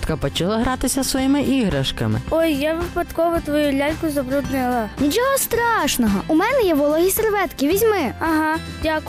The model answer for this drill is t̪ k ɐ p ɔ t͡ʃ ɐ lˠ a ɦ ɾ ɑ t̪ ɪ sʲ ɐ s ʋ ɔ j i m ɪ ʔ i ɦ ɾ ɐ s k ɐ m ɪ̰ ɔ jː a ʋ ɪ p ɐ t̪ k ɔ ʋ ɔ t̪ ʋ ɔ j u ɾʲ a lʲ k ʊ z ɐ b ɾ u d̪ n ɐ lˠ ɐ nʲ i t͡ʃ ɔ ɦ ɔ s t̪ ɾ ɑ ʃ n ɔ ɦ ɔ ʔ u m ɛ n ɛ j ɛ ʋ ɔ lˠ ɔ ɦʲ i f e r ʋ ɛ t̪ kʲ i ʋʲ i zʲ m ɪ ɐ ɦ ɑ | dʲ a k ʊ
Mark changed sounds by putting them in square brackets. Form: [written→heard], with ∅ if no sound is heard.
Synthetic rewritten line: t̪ k ɐ p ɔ t͡ʃ ɐ lˠ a ɦ ɾ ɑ t̪ ɪ sʲ ɐ s ʋ ɔ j i m ɪ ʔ i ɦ ɾ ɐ [s→ʃ] k ɐ m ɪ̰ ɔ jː a ʋ ɪ p ɐ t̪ k ɔ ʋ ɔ t̪ ʋ ɔ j u [ɾʲ→lʲ] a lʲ k ʊ z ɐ b ɾ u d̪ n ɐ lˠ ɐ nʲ i t͡ʃ ɔ ɦ ɔ s t̪ ɾ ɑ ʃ n ɔ ɦ ɔ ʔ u m ɛ n ɛ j ɛ ʋ ɔ lˠ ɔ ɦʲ i [f→s] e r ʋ ɛ t̪ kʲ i ʋʲ i zʲ m ɪ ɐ ɦ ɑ | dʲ a k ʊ